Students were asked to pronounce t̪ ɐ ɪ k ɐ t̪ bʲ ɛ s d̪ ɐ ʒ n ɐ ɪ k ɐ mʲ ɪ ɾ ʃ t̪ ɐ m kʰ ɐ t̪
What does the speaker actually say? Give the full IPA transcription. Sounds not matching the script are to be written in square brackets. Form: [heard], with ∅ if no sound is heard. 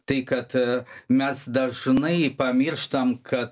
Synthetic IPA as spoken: t̪ ɐ ɪ k ɐ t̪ [mʲ] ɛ s d̪ ɐ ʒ n ɐ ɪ [p] ɐ mʲ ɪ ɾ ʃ t̪ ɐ m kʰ ɐ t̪